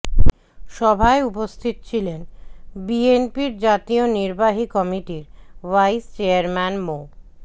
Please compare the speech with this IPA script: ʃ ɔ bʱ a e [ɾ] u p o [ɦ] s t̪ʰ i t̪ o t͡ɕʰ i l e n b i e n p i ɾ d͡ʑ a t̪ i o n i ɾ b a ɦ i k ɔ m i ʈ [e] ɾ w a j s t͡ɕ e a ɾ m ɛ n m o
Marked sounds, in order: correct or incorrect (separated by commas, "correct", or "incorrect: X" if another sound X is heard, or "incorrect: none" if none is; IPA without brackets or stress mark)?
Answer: incorrect: none, incorrect: none, incorrect: i